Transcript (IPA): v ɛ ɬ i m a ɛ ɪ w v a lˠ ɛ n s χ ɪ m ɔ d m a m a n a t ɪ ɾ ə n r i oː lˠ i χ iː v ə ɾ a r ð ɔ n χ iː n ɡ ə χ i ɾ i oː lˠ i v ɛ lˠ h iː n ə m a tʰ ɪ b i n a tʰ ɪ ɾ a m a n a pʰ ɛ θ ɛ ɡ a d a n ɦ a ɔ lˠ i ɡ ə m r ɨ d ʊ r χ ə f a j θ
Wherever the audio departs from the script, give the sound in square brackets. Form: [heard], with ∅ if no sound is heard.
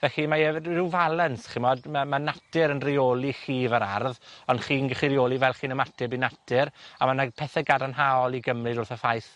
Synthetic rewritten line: v ɛ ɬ i m a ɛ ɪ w v a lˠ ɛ n s χ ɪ m ɔ d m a m a n a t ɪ ɾ ə n r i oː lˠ i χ iː v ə ɾ a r ð ɔ n χ iː n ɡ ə χ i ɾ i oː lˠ i v ɛ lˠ [χ] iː n ə m a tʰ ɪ b i n a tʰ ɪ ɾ a m a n a pʰ ɛ θ ɛ ɡ a d a n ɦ a ɔ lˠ i ɡ ə m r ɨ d ʊ r [θ] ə f a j θ